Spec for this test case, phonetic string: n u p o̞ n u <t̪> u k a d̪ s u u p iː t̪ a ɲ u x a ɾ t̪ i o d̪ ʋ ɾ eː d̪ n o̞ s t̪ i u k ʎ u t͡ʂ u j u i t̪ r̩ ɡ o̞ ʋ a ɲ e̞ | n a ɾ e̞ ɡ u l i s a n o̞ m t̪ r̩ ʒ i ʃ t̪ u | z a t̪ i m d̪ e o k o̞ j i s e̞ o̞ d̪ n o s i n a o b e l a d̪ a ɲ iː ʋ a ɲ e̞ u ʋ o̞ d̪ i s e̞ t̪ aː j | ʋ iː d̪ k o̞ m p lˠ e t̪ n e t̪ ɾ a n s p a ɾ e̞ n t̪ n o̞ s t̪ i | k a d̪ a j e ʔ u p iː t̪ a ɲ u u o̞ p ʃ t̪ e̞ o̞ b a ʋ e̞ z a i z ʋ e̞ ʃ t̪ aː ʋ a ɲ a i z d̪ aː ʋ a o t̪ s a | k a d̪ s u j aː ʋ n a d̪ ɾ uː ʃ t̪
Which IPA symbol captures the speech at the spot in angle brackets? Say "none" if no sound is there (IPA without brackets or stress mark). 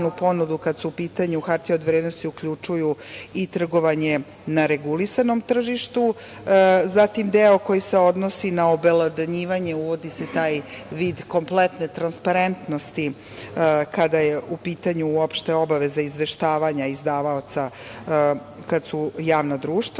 d̪